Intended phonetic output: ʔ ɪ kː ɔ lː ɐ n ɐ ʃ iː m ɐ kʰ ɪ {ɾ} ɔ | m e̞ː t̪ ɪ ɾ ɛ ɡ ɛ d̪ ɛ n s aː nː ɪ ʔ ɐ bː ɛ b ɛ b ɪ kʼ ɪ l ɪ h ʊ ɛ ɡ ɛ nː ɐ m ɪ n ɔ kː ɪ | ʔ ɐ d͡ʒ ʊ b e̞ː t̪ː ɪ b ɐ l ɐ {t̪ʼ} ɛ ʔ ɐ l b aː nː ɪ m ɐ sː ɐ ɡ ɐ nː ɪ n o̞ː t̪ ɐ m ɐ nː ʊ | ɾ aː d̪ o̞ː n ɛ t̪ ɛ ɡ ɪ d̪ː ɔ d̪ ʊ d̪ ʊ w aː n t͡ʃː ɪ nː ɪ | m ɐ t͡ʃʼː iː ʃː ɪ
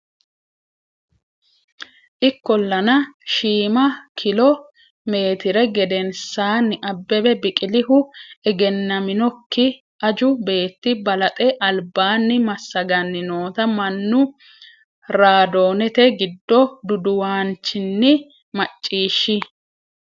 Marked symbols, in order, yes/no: no, yes

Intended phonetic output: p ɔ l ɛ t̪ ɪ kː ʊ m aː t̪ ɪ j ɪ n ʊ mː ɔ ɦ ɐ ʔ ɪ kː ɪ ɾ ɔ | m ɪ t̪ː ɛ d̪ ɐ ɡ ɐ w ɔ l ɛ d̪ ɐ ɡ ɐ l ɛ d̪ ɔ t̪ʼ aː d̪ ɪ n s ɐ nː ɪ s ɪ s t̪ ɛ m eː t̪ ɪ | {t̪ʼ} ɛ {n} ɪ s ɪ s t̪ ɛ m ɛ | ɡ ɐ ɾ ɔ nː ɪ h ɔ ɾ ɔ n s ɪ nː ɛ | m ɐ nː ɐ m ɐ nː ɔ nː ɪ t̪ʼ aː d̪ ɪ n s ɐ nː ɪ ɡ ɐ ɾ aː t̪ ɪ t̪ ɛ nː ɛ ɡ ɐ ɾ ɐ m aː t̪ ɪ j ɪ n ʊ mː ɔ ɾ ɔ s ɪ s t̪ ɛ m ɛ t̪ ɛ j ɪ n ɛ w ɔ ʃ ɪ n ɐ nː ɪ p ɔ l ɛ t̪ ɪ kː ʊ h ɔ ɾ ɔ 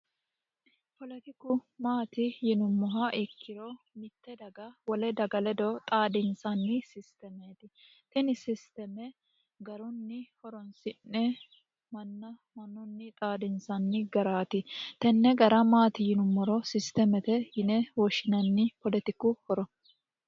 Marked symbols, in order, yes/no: no, yes

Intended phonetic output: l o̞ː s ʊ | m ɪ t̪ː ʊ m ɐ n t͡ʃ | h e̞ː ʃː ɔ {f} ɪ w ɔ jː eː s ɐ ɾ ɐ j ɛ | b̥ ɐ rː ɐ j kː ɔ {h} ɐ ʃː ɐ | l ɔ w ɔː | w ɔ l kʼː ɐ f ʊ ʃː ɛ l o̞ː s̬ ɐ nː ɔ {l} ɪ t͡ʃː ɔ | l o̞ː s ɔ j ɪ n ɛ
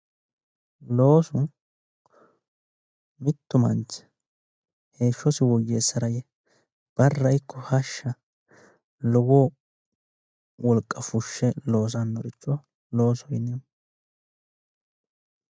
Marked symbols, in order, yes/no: no, yes, no

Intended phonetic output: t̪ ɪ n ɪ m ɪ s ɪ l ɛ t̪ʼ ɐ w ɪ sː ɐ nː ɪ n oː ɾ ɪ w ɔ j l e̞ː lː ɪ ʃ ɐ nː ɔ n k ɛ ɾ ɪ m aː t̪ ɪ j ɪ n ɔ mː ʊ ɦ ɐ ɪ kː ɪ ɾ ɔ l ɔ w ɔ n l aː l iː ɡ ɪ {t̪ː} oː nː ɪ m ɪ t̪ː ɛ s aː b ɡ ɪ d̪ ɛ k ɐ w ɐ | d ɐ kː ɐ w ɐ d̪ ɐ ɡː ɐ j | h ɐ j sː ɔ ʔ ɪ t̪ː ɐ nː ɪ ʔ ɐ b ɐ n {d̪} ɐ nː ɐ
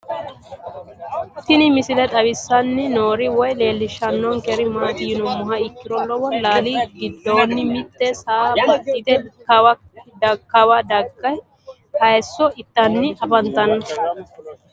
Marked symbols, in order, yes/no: no, no

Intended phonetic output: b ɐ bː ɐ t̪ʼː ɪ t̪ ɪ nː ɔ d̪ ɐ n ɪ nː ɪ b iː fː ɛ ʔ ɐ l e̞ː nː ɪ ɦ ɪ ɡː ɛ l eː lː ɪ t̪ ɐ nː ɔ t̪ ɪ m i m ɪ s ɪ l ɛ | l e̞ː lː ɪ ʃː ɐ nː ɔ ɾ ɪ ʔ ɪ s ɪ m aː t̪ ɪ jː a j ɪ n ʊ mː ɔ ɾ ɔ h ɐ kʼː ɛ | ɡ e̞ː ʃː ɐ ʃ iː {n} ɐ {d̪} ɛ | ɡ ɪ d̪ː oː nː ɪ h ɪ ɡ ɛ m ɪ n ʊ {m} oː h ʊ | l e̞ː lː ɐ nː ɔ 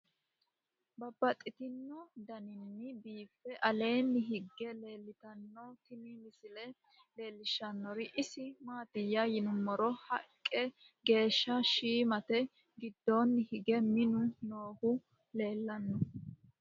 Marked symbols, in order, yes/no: no, no, no

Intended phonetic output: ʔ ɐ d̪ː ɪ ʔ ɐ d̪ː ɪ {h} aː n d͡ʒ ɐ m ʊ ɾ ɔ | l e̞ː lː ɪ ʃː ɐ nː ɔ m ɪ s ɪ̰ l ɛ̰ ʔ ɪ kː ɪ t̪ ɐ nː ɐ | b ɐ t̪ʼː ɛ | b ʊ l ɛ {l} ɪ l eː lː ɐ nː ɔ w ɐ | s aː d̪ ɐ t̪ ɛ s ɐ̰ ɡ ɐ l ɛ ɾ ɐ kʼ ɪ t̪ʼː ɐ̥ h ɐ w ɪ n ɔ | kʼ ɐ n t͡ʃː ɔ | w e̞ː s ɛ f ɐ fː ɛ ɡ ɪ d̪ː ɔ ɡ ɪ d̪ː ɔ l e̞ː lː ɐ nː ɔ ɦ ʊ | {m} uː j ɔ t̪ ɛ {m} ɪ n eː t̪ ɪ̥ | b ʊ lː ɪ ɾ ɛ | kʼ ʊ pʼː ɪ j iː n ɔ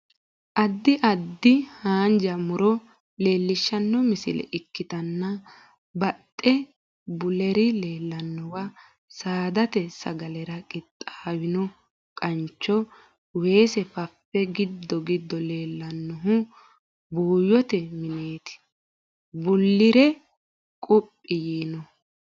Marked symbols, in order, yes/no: yes, no, no, yes

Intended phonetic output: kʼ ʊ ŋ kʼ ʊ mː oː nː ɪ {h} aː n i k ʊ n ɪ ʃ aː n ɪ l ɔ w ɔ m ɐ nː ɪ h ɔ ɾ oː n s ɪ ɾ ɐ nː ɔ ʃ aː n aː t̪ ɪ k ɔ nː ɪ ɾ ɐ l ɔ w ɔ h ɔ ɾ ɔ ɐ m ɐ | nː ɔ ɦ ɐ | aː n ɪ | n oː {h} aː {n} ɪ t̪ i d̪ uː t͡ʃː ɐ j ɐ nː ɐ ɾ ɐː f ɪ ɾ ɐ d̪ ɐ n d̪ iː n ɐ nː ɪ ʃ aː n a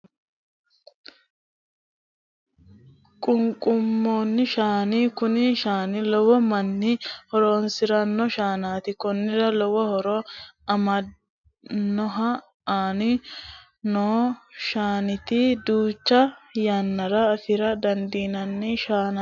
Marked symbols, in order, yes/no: no, no, yes

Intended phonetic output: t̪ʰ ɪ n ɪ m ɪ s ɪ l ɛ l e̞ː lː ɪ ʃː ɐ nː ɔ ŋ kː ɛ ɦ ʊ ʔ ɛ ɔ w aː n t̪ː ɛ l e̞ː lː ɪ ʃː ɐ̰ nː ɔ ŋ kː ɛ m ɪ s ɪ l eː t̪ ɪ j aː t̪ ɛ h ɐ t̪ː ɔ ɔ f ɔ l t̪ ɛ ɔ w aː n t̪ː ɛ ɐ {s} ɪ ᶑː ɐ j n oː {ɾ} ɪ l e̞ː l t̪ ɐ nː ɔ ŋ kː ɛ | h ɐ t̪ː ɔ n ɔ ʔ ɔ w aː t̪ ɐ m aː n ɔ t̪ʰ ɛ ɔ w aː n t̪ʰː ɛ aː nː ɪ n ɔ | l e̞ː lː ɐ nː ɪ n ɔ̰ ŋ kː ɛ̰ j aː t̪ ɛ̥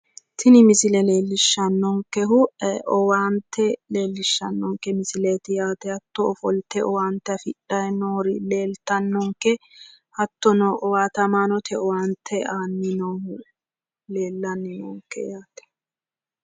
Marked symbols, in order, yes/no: no, yes

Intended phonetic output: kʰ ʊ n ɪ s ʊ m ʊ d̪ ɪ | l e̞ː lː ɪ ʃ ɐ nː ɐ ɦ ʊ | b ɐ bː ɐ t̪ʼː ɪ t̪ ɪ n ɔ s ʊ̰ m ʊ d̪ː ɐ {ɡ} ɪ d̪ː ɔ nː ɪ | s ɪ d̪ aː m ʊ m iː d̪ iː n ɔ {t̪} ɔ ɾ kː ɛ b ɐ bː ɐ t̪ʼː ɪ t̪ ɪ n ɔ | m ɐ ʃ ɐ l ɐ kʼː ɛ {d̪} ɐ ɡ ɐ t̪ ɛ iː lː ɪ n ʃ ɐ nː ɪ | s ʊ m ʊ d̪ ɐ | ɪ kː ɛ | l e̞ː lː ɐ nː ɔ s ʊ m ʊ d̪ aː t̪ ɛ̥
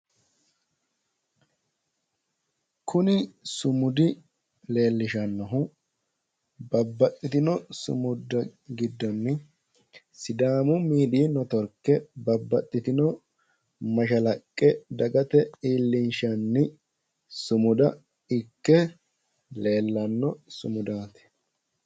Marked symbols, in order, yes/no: yes, yes, yes

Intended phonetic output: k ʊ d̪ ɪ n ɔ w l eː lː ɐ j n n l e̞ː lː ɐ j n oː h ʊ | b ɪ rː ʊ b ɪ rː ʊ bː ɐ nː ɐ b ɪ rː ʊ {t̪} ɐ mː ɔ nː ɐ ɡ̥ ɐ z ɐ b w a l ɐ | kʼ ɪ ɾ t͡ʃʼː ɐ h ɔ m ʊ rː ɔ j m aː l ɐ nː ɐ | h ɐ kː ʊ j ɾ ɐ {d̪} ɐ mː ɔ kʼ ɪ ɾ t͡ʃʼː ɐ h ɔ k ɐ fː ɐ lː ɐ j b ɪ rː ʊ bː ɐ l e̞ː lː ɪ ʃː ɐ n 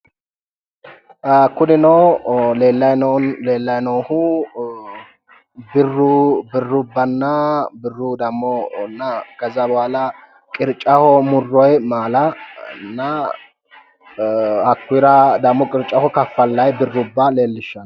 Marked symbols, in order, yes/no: no, yes

